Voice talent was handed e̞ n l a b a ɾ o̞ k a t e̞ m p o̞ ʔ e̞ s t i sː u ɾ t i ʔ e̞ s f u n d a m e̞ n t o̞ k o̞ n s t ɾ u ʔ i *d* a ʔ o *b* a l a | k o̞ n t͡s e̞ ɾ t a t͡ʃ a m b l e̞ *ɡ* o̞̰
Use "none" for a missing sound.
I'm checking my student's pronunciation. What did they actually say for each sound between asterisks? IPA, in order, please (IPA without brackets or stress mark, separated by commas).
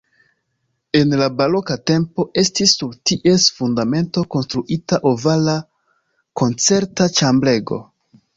t, v, ɡ